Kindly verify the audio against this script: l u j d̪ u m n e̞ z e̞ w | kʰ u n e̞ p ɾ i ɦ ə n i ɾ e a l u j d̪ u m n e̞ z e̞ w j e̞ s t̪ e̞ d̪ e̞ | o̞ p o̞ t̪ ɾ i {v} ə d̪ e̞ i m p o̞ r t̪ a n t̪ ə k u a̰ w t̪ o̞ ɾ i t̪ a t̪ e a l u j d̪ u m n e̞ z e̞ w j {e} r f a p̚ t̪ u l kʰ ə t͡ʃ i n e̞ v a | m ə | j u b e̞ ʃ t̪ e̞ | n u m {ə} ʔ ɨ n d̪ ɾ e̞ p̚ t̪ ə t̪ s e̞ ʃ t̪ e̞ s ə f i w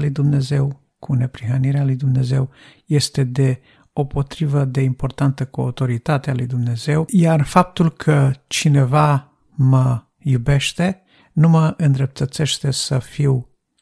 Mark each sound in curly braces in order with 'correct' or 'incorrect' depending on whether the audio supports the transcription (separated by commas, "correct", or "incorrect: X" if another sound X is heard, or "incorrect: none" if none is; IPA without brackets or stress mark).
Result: correct, incorrect: a, correct